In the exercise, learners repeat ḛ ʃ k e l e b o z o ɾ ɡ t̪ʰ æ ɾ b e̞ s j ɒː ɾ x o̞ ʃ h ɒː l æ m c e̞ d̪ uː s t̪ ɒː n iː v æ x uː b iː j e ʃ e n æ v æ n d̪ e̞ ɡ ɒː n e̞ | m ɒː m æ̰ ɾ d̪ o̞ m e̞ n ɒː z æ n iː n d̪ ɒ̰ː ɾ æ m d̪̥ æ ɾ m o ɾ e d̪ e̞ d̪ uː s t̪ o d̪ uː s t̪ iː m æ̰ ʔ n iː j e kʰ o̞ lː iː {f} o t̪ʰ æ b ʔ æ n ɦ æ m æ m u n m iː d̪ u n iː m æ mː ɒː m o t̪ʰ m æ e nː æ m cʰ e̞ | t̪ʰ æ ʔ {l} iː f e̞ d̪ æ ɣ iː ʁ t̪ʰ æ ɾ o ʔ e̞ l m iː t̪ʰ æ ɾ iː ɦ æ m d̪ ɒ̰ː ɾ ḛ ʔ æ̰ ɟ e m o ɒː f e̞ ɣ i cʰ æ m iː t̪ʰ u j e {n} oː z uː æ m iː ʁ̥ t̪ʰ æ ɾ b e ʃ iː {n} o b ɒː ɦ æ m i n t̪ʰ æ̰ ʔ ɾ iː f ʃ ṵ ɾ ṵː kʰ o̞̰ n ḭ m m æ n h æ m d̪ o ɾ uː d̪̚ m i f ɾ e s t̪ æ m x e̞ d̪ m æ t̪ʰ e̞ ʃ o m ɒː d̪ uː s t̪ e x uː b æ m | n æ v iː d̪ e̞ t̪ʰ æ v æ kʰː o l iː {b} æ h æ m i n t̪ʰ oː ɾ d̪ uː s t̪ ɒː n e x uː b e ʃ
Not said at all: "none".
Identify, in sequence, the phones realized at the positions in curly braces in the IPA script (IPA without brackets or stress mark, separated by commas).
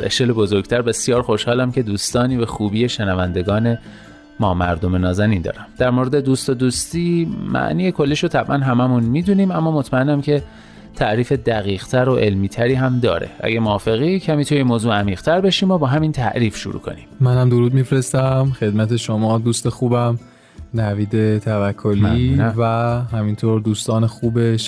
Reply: ʃ, ɾ, m, m, v